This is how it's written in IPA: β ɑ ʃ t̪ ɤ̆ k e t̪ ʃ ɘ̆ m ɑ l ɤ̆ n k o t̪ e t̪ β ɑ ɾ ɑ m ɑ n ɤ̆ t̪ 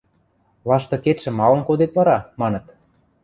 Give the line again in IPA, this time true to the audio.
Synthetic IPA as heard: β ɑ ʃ t̪ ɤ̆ k e t̪ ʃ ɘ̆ m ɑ l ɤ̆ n k o d̪ e t̪ β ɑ ɾ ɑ m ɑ n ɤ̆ t̪